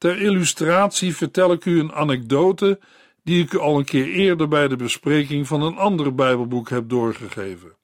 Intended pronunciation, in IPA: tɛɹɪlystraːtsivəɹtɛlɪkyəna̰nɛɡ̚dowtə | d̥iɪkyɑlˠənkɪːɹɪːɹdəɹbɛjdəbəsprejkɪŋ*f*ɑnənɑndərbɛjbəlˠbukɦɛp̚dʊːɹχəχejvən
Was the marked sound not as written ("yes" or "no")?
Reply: yes